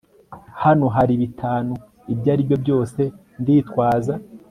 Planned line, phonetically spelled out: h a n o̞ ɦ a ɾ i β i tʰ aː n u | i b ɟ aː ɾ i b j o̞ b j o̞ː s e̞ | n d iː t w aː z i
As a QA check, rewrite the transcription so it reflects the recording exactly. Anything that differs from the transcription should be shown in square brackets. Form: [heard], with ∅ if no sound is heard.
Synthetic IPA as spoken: h a n o̞ ɦ a ɾ i β i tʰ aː n u | i b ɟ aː ɾ i b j o̞ b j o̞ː s e̞ | n d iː t w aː z [a]